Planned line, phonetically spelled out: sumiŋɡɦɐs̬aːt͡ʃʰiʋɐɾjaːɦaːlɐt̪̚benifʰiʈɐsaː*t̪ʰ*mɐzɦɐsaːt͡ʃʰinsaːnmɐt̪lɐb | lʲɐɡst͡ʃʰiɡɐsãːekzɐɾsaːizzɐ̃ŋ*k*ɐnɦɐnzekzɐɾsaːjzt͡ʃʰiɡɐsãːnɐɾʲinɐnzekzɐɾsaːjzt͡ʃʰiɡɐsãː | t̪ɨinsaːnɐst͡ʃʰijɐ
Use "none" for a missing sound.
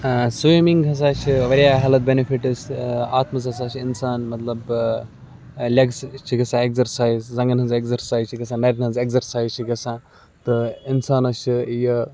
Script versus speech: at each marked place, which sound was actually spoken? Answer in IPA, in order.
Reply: t̪, ɡ

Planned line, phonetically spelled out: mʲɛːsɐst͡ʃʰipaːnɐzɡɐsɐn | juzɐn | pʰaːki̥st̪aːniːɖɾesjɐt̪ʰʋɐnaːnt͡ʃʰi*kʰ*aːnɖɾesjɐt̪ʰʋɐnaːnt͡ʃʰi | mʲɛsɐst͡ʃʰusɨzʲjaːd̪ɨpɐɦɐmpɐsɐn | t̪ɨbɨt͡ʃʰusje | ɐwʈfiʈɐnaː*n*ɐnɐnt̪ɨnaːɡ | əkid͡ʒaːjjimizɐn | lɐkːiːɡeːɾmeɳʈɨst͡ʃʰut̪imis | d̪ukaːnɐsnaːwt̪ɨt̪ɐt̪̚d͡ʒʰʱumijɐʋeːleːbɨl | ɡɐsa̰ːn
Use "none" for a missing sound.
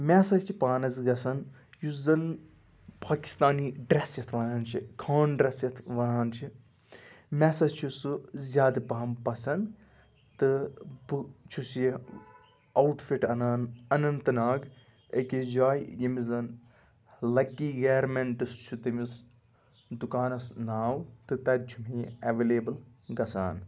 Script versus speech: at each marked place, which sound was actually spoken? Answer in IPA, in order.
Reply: kʰ, n

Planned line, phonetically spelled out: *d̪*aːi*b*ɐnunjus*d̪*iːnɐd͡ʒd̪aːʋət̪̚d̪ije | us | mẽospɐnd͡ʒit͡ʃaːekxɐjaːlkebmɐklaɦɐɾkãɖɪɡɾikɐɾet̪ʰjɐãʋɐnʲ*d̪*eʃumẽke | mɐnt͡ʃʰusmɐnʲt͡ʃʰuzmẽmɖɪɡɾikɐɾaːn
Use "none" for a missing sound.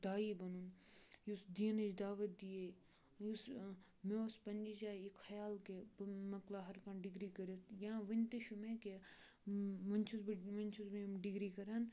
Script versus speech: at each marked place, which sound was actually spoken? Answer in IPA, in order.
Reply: d̪, b, d̪, t̪

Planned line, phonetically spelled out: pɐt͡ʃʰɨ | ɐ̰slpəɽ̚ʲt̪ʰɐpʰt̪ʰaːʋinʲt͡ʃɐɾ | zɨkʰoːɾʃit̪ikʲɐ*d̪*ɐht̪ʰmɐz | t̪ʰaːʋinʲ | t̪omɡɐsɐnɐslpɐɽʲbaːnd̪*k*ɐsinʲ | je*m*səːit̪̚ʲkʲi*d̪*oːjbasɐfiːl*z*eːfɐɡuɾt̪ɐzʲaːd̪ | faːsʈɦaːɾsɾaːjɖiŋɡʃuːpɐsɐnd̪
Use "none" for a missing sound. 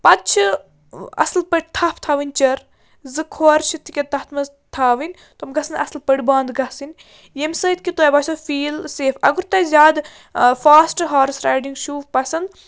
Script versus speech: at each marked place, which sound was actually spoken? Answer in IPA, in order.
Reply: t̪, ɡ, m, t̪, s

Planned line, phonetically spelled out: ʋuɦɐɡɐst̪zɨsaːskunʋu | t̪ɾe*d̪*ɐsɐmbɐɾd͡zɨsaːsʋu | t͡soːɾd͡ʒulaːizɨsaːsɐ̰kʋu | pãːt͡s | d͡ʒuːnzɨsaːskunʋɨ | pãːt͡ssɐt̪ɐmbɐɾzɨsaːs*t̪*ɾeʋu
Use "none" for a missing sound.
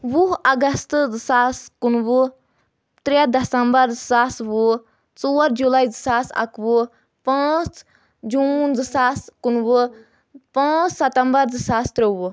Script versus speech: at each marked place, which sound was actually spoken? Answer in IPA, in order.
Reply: d̪, t̪

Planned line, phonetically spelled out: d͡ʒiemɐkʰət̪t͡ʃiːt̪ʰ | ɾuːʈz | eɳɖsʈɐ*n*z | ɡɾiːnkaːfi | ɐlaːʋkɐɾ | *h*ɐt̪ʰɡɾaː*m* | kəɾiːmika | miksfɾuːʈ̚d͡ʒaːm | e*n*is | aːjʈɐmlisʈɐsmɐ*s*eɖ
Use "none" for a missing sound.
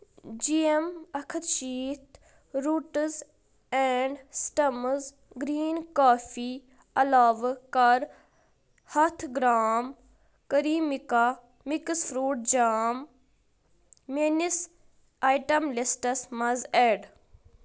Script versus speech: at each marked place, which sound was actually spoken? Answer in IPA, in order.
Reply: m, h, m, n, z

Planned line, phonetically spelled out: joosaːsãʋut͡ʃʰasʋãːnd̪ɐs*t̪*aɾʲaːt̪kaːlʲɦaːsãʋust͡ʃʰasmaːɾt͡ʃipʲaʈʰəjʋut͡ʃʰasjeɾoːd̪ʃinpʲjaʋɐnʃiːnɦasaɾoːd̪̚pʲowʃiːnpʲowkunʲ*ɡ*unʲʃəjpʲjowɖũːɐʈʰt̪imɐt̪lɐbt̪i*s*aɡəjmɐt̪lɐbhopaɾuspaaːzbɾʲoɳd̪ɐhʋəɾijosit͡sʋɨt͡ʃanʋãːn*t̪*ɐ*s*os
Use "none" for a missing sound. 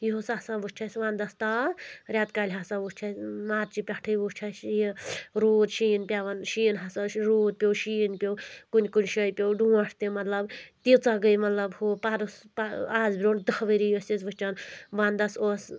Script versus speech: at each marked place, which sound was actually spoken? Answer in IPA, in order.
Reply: t̪, k, t͡s, d̪, s

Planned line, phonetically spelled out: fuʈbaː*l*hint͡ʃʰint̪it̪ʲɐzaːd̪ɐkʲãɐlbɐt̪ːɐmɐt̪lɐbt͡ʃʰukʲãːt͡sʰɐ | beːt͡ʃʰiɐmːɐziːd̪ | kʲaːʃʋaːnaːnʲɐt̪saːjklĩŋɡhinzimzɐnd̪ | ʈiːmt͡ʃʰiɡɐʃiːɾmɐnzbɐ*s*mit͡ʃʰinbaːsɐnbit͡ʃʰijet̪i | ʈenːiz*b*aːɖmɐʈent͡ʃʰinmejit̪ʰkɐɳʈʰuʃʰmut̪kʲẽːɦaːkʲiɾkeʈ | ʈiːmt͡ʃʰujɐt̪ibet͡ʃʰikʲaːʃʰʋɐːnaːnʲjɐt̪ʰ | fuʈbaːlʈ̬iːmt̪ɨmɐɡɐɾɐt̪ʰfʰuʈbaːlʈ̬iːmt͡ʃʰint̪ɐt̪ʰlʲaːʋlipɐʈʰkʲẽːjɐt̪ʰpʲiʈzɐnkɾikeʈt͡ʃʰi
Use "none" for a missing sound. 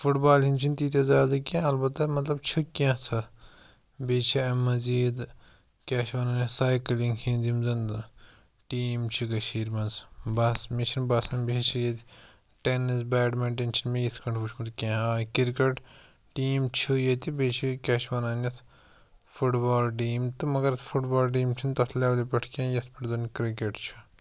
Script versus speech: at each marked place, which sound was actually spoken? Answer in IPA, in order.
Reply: l, s, b

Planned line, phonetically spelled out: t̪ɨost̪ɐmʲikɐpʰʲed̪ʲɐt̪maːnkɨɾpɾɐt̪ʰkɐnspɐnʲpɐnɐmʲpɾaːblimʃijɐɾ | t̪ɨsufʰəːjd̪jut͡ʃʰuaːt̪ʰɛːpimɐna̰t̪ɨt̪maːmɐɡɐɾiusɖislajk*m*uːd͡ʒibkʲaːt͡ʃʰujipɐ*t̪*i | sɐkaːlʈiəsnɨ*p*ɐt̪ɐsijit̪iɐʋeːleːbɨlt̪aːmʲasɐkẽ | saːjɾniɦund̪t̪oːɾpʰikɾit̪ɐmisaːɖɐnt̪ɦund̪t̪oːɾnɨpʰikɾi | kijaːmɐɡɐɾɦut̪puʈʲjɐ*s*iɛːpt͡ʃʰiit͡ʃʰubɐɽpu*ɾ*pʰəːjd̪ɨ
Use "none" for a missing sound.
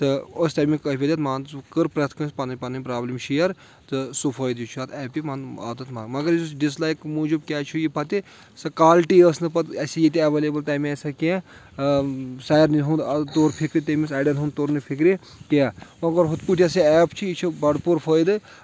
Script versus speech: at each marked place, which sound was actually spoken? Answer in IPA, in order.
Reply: m, t̪, p, s, ɾ

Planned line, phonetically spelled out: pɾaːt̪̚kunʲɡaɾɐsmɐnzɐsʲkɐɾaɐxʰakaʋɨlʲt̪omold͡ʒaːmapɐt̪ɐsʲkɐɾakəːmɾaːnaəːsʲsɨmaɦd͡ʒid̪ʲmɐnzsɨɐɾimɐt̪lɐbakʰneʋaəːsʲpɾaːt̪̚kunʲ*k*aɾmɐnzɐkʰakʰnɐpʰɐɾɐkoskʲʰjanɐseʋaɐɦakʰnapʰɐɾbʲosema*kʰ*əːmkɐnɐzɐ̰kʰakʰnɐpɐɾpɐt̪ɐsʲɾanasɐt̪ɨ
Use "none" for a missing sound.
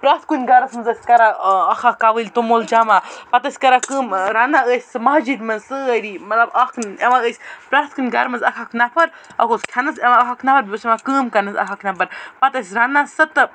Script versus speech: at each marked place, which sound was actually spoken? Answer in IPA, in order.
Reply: ɡ, k

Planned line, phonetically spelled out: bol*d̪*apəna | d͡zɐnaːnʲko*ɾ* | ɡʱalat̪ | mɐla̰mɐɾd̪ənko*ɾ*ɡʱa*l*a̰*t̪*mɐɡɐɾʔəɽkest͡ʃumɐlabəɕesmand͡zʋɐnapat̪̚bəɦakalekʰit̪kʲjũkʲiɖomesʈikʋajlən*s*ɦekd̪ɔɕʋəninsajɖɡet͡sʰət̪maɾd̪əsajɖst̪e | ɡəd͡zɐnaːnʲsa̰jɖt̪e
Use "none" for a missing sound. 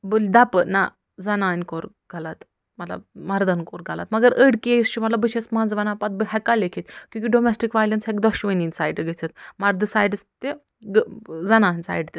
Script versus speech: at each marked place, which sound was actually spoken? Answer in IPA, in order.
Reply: d̪, ɾ, ɾ, l, t̪, s

